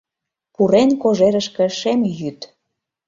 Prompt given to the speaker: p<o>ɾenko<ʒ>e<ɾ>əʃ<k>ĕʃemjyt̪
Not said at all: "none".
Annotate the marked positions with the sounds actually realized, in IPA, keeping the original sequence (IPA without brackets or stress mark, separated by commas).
u, ʒ, ɾ, k